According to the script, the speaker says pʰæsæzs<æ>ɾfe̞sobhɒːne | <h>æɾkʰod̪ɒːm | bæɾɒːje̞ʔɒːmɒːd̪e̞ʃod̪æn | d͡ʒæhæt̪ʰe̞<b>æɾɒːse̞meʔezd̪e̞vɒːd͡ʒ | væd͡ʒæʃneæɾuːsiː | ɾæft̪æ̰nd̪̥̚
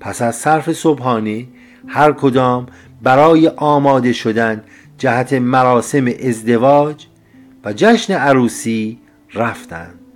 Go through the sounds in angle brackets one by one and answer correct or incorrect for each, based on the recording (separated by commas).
correct, correct, incorrect